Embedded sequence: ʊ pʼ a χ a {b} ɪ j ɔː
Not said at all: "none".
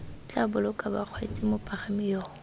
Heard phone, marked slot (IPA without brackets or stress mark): m